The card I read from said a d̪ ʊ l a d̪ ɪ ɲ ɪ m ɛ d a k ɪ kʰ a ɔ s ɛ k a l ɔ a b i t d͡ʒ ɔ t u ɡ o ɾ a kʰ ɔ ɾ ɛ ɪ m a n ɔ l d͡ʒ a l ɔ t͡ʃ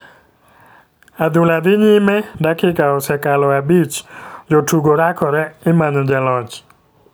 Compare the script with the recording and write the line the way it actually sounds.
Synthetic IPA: a d̪ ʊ l a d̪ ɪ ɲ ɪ m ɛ d a k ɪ k a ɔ s ɛ k a l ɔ a b i t͡ʃ d͡ʒ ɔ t u ɡ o ɾ a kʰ ɔ ɾ ɛ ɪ m a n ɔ d͡ʒ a l ɔ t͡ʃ